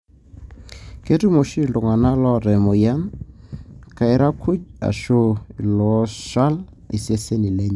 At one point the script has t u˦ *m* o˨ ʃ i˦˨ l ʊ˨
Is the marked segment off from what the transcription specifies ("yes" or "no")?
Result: no